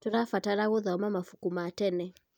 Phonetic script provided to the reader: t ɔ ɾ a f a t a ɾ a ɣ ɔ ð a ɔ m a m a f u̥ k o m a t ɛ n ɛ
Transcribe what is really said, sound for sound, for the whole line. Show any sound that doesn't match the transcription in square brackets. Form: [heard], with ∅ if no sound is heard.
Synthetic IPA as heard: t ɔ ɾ a f a t a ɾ a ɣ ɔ ð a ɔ m a m a f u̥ k [u] m a t ɛ n ɛ